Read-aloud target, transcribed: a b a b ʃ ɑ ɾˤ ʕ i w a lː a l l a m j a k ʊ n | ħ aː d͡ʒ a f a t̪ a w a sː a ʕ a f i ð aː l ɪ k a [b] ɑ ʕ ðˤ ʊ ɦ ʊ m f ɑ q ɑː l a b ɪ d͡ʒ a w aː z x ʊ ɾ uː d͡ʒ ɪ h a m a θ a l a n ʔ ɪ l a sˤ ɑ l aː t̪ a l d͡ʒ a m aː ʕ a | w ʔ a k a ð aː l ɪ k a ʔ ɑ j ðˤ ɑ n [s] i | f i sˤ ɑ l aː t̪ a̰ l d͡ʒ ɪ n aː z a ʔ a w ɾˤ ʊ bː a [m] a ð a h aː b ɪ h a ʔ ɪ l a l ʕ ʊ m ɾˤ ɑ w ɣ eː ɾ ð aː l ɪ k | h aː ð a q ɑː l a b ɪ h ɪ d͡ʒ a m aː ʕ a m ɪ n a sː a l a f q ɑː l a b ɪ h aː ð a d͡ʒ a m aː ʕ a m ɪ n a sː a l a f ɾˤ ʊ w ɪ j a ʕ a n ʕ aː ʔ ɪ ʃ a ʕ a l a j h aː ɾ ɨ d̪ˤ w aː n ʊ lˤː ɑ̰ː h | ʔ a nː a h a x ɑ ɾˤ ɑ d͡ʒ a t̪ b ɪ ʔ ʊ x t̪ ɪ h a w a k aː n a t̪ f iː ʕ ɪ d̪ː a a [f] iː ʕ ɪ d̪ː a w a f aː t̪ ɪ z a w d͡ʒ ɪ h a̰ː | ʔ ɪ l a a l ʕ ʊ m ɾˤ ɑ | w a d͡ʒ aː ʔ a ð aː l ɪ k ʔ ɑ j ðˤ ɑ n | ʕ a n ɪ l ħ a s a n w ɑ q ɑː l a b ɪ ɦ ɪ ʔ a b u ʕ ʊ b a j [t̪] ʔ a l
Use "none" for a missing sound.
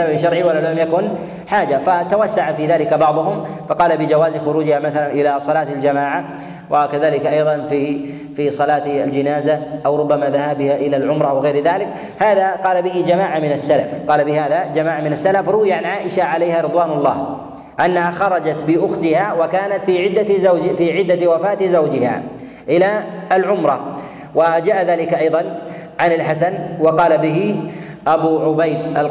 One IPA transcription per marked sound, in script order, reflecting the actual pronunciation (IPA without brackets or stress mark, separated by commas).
b, f, m, f, d̪